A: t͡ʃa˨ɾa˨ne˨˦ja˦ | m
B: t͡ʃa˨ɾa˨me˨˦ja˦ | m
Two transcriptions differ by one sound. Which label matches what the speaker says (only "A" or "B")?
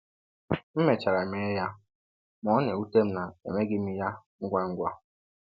B